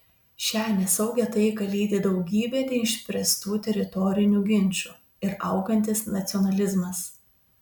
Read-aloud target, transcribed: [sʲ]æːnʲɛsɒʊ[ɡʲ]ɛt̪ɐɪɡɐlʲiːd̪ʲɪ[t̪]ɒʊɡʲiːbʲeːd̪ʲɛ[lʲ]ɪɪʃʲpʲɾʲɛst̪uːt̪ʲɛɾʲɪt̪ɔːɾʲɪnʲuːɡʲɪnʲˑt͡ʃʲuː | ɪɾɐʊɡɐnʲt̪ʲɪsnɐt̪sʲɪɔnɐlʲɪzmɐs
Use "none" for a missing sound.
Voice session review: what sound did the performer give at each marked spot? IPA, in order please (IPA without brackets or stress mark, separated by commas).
ʃʲ, ɡʲ, d̪, none